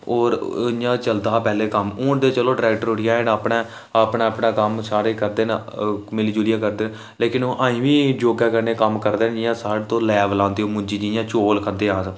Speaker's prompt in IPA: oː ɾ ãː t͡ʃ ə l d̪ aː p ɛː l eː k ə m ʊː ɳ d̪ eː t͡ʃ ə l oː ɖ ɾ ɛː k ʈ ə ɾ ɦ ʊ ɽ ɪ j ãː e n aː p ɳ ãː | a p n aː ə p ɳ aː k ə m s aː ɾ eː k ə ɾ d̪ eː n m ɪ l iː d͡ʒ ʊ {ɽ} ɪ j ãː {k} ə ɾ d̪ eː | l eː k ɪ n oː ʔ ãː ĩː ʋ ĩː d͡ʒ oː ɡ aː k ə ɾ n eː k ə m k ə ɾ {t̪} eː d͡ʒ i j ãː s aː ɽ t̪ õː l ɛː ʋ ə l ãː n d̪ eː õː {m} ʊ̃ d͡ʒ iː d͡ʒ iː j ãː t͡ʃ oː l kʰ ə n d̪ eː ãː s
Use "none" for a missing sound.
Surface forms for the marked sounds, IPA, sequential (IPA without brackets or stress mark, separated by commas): l, k, d̪, m